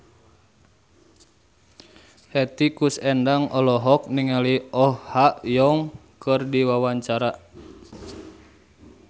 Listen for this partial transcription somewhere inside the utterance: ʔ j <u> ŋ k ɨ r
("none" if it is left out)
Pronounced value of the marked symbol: ɔ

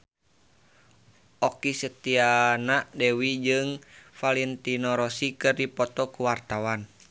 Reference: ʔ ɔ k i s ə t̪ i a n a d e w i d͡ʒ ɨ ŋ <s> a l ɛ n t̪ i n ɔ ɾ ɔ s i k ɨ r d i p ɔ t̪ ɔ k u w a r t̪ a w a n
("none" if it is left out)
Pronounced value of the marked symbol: f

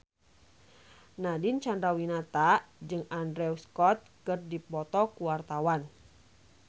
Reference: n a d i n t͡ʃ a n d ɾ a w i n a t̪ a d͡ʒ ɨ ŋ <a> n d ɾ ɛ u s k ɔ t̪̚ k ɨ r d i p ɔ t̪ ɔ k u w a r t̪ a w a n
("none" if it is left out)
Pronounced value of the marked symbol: a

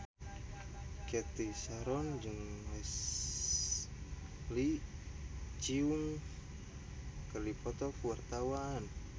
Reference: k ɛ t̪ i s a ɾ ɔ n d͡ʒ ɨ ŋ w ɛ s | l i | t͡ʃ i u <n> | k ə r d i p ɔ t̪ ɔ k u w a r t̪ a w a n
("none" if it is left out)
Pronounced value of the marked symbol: ŋ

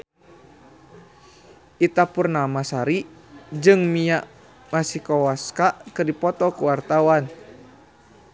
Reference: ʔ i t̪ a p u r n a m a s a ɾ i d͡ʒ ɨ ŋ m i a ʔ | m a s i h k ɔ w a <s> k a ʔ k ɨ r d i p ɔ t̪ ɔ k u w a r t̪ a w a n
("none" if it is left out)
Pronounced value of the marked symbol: s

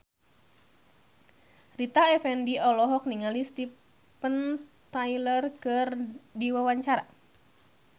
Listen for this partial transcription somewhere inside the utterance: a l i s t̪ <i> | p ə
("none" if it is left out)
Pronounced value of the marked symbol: i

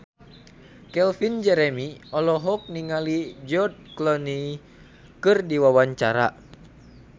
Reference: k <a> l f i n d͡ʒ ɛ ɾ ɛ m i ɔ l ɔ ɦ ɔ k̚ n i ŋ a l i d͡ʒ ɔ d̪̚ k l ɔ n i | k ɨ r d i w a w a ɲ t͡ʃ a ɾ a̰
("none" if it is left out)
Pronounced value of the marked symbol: ɛ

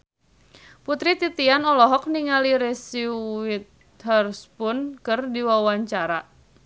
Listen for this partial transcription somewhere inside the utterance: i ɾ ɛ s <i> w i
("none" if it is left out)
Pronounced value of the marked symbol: i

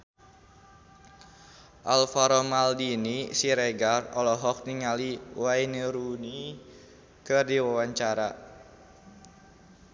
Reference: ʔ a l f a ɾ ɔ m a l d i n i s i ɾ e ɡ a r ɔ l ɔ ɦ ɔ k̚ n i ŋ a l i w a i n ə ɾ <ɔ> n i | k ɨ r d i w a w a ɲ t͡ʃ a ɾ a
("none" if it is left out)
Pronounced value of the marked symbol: u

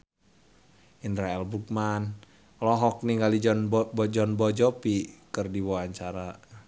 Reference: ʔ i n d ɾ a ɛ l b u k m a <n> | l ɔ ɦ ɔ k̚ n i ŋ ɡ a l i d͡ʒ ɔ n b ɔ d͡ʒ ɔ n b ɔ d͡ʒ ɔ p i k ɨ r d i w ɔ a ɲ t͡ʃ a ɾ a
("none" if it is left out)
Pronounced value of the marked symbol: n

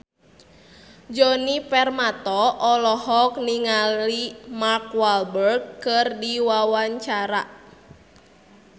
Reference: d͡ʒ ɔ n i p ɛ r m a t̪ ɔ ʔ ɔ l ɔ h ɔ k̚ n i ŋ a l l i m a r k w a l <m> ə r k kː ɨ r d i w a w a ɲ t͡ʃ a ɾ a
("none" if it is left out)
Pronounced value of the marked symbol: b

